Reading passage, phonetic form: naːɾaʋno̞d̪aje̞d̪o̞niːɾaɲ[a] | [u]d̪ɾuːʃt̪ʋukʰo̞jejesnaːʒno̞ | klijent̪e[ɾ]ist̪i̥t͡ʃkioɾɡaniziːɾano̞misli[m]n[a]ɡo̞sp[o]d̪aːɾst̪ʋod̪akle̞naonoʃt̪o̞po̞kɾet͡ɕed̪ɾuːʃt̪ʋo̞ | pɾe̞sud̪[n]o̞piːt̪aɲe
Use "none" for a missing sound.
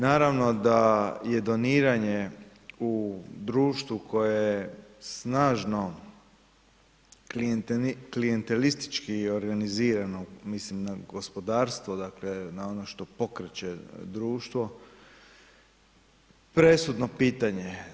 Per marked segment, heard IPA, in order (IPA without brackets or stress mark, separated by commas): e, u, l, m, a, o, n